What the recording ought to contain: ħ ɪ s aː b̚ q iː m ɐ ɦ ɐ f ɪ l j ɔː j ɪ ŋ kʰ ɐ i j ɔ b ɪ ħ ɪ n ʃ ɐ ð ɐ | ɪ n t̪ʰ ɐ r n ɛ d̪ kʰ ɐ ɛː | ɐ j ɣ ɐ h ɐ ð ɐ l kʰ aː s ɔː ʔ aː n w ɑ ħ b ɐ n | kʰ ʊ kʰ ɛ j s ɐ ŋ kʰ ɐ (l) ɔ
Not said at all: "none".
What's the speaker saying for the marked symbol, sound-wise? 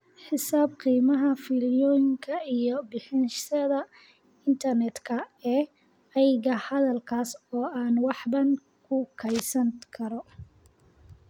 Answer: ɾ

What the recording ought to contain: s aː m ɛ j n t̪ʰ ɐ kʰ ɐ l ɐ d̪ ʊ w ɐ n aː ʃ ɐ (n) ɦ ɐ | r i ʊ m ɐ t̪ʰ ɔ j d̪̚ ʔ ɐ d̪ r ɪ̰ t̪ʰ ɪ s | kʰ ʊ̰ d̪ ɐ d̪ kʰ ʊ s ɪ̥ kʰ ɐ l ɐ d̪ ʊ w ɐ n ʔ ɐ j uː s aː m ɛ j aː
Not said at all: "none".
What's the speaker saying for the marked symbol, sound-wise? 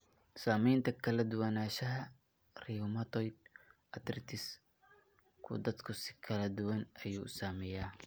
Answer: none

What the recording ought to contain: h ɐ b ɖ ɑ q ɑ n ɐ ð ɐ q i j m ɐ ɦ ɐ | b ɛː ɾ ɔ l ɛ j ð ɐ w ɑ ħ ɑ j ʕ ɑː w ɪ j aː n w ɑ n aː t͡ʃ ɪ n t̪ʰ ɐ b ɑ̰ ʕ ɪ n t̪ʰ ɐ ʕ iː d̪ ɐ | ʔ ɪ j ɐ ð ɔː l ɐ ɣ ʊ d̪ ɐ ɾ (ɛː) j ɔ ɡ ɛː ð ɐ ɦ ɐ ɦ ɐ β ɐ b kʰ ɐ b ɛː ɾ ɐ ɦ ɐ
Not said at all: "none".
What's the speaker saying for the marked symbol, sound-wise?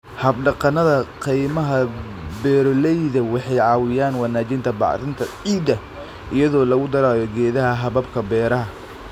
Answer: aː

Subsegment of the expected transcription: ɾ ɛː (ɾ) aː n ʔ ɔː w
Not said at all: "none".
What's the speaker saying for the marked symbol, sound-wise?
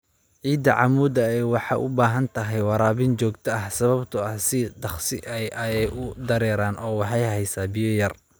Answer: ɾ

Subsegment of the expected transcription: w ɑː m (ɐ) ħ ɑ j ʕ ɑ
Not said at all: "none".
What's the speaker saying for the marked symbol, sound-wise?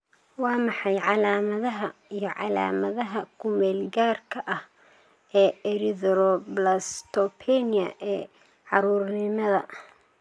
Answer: ɑ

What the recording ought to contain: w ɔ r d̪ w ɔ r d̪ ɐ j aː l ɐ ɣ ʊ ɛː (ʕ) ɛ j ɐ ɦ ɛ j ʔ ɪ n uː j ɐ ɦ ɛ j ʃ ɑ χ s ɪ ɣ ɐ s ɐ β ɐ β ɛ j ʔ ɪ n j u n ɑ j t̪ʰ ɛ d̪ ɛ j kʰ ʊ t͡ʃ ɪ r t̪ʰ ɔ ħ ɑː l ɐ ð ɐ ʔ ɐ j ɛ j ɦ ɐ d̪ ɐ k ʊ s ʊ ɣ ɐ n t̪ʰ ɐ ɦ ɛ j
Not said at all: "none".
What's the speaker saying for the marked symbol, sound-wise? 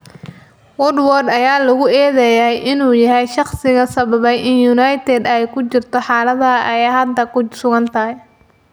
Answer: ð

